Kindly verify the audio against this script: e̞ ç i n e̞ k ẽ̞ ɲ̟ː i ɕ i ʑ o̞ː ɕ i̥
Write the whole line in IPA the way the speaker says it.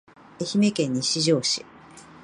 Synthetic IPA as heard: e̞ ç i m e̞ k ẽ̞ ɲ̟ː i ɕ i ʑ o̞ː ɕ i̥